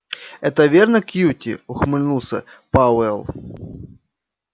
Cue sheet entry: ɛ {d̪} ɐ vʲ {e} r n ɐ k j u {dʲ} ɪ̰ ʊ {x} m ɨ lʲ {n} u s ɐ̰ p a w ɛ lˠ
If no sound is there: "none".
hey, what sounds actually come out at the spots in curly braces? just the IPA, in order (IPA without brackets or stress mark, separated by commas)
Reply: t̪, e, tʲ, x, n